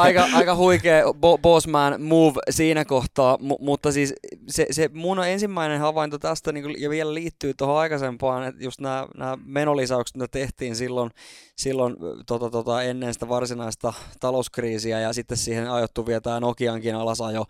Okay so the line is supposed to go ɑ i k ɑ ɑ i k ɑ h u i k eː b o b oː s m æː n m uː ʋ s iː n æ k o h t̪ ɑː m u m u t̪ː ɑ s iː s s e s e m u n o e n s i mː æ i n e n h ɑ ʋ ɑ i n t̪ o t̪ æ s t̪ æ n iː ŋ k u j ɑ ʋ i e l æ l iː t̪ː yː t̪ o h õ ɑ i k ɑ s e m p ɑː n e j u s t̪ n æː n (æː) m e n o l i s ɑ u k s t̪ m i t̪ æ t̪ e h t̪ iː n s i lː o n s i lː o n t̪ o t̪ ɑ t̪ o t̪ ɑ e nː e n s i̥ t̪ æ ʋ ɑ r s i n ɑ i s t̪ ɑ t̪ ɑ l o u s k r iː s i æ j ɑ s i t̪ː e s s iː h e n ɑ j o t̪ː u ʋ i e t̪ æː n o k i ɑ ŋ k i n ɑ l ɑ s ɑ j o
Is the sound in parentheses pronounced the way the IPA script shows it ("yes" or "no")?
yes